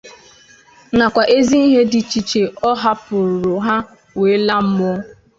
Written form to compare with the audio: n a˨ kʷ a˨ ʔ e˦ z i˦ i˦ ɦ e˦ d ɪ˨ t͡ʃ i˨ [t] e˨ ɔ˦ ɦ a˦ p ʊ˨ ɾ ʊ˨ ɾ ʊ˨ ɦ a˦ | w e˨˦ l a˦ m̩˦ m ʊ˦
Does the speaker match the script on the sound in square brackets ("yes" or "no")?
no